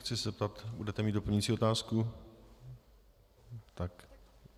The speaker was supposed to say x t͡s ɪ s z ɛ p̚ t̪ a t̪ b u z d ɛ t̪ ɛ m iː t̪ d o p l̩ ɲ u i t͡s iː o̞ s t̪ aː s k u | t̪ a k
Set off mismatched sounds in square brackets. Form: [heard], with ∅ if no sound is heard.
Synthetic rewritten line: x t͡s ɪ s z ɛ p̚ t̪ a t̪ b u [∅] d ɛ t̪ ɛ m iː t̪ d o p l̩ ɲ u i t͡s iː o̞ [∅] t̪ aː s k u | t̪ a k

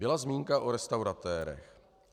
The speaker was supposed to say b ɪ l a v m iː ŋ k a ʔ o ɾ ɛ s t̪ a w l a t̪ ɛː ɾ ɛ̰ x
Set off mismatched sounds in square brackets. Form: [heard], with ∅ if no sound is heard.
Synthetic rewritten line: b ɪ l a [z] m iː ŋ k a ʔ o ɾ ɛ s t̪ a w [ɾ] a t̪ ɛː ɾ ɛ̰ x

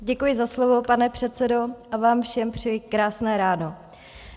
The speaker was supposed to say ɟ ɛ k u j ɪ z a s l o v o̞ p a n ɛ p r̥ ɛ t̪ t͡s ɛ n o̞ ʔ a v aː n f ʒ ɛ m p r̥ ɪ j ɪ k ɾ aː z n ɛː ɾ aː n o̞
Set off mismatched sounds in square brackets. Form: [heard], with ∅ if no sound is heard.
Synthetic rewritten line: ɟ ɛ k u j ɪ z a s l o v o̞ p a n ɛ p r̥ ɛ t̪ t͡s ɛ [d] o̞ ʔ a v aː [m] f [ʃ] ɛ m p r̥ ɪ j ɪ k ɾ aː [s] n ɛː ɾ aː n o̞

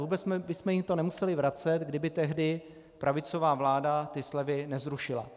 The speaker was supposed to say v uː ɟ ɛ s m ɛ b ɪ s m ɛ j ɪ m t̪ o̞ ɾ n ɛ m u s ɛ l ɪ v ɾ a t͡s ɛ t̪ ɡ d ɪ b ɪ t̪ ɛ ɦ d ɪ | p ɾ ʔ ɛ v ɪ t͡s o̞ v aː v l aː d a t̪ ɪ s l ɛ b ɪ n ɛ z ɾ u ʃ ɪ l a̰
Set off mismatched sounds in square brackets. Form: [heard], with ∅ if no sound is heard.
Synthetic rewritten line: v uː [b] ɛ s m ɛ b ɪ s m ɛ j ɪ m t̪ o̞ [∅] n ɛ m u s ɛ l ɪ v ɾ a t͡s ɛ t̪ ɡ d ɪ b ɪ t̪ ɛ ɦ d ɪ | p ɾ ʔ [a] v ɪ t͡s o̞ v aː v l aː d a t̪ ɪ s l ɛ [v] ɪ n ɛ z ɾ u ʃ ɪ l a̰

